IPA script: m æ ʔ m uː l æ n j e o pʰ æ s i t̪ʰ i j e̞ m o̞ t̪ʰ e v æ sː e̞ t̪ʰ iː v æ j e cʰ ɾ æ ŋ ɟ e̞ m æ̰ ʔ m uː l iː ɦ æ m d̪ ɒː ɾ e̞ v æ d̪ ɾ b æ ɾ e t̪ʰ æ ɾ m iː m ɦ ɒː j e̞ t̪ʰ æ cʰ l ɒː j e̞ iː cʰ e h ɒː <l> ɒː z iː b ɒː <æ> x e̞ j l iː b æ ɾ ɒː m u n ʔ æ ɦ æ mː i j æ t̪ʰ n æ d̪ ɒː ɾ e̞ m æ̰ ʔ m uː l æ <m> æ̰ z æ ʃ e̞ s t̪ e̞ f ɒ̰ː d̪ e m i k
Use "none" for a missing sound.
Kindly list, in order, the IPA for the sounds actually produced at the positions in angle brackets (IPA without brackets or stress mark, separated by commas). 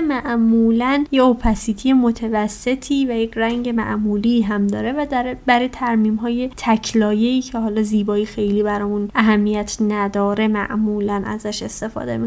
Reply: l, i, n